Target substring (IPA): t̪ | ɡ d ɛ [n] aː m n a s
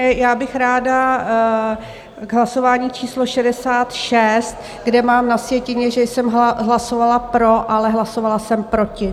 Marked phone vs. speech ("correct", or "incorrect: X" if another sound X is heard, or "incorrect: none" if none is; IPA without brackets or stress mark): incorrect: m